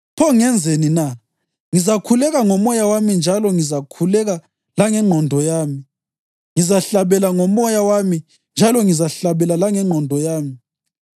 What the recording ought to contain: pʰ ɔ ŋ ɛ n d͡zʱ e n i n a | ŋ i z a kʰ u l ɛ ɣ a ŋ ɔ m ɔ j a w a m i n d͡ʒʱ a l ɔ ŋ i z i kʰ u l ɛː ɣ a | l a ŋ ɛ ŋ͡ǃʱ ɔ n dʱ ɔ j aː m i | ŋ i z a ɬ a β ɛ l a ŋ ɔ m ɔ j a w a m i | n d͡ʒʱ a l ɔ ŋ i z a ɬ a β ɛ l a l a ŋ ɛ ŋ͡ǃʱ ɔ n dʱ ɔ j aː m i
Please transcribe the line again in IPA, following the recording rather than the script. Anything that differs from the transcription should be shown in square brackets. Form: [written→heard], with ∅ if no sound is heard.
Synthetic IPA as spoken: pʰ ɔ ŋ ɛ n d͡zʱ e n i n a | ŋ i z a kʰ u l ɛ ɣ a ŋ ɔ m ɔ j a w a m i n d͡ʒʱ a l ɔ ŋ i z [i→a] kʰ u l [ɛː→ɛ] ɣ a | l a ŋ ɛ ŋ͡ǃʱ ɔ n dʱ ɔ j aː m i | ŋ i z a ɬ a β ɛ l a ŋ ɔ m ɔ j a w a m i | n d͡ʒʱ a l ɔ ŋ i z a ɬ a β ɛ l a l a ŋ ɛ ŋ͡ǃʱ ɔ n dʱ ɔ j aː m i

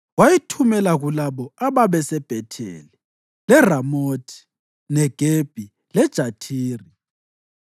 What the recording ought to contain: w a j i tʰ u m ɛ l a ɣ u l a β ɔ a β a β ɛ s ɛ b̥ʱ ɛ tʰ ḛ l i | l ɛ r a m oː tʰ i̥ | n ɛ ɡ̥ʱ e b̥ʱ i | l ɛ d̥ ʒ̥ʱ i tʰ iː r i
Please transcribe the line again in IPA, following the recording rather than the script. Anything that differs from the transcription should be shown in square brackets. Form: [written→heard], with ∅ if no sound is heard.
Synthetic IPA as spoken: w a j i tʰ u m ɛ l a ɣ u l a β ɔ a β a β ɛ s ɛ b̥ʱ ɛ tʰ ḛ l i | l ɛ r a m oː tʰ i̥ | n ɛ ɡ̥ʱ e b̥ʱ i | l ɛ d̥ ʒ̥ʱ [i→a] tʰ iː r i

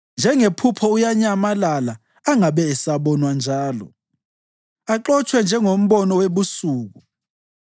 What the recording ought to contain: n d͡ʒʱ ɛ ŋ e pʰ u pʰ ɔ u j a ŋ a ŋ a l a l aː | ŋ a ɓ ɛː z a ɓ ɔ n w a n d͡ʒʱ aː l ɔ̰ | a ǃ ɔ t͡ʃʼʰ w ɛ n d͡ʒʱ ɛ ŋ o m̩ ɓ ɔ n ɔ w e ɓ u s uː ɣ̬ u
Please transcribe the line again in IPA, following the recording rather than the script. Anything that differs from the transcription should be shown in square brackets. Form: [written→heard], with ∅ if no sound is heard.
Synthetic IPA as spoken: n d͡ʒʱ ɛ ŋ e pʰ u pʰ ɔ u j a [ŋ→ɲ] a [ŋ→m] a l a l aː | ŋ a ɓ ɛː [z→s] a ɓ ɔ n w a n d͡ʒʱ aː l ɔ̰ | a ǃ ɔ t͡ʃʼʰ w ɛ n d͡ʒʱ ɛ ŋ o m̩ ɓ ɔ n ɔ w e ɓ u s uː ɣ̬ u

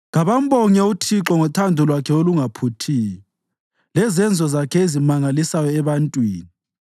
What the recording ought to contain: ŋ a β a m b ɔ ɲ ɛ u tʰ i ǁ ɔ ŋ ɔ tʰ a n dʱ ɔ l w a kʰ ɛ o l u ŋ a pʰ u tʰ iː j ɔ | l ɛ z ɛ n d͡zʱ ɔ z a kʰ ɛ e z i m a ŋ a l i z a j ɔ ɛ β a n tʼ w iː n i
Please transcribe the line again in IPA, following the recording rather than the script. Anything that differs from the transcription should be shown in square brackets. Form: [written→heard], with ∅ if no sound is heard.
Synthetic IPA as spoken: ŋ a β a m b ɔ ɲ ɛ u tʰ i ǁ ɔ ŋ ɔ tʰ a n dʱ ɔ l w a kʰ ɛ o l u ŋ a pʰ u tʰ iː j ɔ | l ɛ z ɛ n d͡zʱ ɔ z a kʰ ɛ e z i m a ŋ a l i [z→s] a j ɔ ɛ β a n tʼ w iː n i

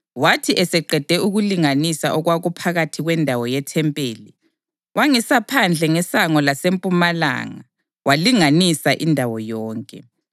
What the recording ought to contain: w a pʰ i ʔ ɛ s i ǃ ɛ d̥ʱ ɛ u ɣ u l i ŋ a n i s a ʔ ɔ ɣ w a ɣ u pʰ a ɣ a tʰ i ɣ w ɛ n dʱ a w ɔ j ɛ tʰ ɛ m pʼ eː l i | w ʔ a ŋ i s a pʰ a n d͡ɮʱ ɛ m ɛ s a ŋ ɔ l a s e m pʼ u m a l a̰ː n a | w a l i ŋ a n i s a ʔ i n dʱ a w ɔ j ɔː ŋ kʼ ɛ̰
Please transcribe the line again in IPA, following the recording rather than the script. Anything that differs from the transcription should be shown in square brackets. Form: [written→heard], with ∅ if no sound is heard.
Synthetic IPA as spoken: w a [pʰ→tʰ] i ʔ ɛ s [i→ɛ] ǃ ɛ d̥ʱ ɛ u ɣ u l i ŋ a n i s a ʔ ɔ ɣ w a ɣ u pʰ a ɣ a tʰ i ɣ w ɛ n dʱ a w ɔ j ɛ tʰ ɛ m pʼ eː l i | w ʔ a ŋ i s a pʰ a n d͡ɮʱ ɛ [m→ŋ] ɛ s a ŋ ɔ l a s e m pʼ u m a l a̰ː [n→ŋ] a | w a l i ŋ a n i s a ʔ i n dʱ a w ɔ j ɔː ŋ kʼ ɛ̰

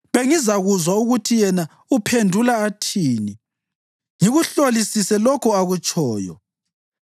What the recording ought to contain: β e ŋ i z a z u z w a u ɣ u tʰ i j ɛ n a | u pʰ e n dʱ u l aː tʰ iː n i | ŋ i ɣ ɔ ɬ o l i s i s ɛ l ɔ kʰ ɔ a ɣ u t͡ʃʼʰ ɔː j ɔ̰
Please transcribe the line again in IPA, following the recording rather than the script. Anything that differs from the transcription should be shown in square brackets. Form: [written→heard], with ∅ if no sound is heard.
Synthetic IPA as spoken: β e ŋ i z a [z→ɣ] u z w a u ɣ u tʰ i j ɛ n a | u pʰ e n dʱ u l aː tʰ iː n i | ŋ i ɣ [ɔ→u] ɬ o l i s i s ɛ l ɔ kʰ ɔ a ɣ u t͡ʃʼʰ ɔː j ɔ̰

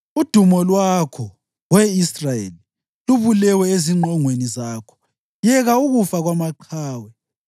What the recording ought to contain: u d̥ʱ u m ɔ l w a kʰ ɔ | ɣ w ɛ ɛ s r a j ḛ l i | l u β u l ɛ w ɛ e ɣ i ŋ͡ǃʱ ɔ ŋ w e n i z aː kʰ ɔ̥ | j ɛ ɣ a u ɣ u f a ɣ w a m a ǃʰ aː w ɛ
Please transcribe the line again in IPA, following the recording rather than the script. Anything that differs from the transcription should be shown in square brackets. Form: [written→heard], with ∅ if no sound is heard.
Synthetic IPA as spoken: u d̥ʱ u m ɔ l w a kʰ ɔ | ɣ w ɛ [ɛ→i] s r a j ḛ l i | l u β u l ɛ w ɛ e [ɣ→z] i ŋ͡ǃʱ ɔ ŋ w e n i z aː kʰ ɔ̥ | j ɛ ɣ a u ɣ u f a ɣ w a m a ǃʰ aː w ɛ

